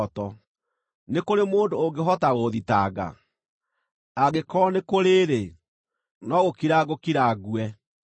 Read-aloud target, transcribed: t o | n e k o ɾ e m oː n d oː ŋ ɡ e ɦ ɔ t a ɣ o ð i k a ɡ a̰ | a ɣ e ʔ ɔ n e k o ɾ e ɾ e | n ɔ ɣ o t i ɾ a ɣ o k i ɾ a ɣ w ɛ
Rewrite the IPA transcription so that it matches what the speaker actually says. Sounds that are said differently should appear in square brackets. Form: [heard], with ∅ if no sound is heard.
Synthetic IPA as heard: t [ɔ] | n e k o ɾ e m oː n d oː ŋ ɡ e ɦ ɔ t a ɣ o ð i [t] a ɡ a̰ | a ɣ e [k] ɔ n e k o ɾ e ɾ e | n ɔ ɣ o [k] i ɾ a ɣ o k i ɾ a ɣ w ɛ